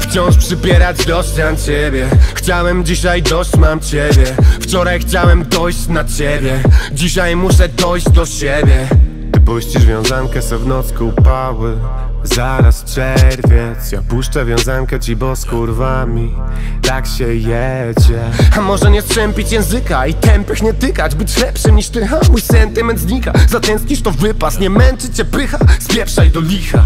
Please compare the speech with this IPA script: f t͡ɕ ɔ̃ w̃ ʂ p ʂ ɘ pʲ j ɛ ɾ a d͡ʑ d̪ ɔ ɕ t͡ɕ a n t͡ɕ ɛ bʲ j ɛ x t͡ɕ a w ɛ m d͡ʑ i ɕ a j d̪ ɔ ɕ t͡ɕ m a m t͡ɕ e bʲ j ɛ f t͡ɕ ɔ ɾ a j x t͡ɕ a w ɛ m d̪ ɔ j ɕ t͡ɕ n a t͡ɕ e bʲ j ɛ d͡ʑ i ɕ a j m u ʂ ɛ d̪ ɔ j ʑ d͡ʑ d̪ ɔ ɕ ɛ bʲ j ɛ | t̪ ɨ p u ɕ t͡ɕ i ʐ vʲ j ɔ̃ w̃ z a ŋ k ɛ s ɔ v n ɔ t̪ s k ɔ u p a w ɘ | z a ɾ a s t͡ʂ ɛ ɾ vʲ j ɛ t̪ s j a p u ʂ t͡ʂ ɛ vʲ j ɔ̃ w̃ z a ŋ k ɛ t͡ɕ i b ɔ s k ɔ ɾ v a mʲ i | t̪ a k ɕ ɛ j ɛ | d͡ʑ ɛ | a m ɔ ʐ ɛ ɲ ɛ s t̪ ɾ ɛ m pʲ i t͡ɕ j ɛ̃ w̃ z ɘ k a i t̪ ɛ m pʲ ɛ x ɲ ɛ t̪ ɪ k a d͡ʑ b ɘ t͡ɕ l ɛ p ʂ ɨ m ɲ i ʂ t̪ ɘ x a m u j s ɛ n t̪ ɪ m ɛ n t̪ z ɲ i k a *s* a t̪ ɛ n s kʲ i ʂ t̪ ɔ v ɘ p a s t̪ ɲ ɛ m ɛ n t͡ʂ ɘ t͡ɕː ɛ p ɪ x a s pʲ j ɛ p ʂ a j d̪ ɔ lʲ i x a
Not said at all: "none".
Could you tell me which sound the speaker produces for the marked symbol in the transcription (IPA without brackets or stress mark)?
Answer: z